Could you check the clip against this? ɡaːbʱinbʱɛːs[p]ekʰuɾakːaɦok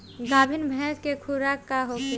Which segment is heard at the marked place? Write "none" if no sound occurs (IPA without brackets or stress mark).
k